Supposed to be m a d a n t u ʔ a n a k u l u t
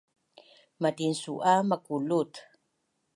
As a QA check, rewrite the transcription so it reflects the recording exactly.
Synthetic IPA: m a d i n s u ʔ a m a k u l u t